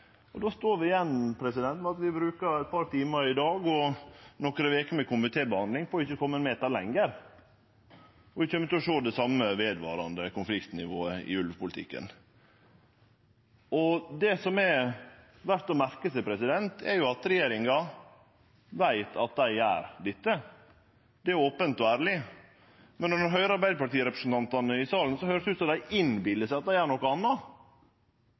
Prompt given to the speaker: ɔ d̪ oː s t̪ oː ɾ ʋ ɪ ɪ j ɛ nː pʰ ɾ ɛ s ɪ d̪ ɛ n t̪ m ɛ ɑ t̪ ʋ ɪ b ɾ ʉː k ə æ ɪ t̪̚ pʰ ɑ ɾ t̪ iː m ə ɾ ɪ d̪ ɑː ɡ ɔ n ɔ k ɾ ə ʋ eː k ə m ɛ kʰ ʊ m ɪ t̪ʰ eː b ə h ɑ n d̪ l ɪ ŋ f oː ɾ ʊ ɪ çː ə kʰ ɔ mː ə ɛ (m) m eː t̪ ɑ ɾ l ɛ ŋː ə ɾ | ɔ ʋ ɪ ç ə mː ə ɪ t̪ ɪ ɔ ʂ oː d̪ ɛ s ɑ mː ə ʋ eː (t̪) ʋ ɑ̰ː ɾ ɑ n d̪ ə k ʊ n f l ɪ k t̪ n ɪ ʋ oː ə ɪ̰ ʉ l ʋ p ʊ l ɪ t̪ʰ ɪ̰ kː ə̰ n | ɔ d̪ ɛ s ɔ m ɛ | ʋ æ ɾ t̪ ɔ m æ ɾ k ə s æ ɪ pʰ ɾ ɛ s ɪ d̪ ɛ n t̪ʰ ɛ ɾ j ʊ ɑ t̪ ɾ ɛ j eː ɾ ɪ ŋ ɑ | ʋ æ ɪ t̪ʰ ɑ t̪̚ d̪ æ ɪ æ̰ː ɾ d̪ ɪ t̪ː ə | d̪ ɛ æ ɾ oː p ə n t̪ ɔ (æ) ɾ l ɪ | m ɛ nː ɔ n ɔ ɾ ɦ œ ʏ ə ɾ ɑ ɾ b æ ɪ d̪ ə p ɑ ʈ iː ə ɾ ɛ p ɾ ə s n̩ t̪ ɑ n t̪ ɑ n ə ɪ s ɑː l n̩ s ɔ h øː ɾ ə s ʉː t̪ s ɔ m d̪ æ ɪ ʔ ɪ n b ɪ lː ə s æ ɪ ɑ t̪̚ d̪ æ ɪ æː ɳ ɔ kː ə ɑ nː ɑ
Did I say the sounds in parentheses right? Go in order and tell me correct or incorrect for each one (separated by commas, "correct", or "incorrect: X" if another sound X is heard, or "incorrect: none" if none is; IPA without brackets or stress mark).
incorrect: n, incorrect: d̪, incorrect: æː